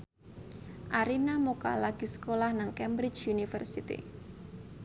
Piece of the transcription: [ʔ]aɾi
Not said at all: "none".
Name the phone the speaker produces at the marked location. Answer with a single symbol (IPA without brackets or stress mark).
ʔ